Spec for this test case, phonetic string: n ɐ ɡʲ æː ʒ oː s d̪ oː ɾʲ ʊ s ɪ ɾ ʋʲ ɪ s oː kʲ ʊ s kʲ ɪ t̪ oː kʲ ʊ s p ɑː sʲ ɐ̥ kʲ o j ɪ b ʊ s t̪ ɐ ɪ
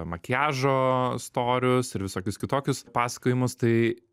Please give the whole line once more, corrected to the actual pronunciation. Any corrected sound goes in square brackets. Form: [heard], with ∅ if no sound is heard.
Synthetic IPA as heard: [m] ɐ [kʲ] æː ʒ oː s [t̪] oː ɾʲ ʊ s ɪ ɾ ʋʲ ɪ s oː kʲ ʊ s kʲ ɪ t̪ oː kʲ ʊ s p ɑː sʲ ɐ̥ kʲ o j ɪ [m] ʊ s t̪ ɐ ɪ